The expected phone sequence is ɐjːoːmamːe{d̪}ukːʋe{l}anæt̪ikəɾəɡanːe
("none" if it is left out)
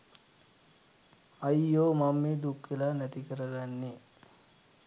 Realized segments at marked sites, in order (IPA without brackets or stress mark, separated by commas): d̪, l